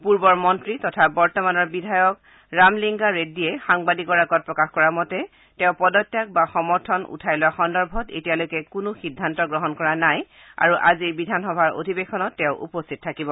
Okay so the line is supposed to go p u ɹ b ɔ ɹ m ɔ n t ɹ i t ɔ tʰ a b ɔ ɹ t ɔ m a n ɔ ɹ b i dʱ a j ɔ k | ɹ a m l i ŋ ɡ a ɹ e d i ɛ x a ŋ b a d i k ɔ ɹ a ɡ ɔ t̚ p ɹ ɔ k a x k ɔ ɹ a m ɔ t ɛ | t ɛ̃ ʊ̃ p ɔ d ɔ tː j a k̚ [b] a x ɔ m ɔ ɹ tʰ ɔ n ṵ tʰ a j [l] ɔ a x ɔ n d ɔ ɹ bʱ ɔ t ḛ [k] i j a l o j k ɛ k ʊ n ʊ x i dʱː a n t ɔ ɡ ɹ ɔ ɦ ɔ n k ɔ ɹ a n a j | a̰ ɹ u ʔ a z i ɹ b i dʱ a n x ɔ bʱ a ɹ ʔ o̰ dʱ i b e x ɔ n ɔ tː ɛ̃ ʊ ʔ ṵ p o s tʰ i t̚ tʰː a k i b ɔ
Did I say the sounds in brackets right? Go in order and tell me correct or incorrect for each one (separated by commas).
correct, correct, incorrect